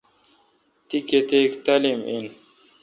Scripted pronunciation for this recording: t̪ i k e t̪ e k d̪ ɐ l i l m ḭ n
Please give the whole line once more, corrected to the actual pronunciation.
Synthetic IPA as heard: t̪ i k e t̪ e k t̪ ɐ l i m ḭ n